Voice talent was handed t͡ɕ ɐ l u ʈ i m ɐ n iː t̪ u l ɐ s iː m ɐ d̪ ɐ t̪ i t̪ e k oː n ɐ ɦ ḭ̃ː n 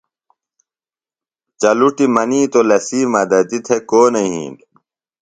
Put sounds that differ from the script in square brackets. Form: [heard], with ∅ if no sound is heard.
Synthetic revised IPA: t͡ɕ ɐ l u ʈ i m ɐ n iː t̪ [o] l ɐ s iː m ɐ d̪ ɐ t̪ i [t̪ʰ] e k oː n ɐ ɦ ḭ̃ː n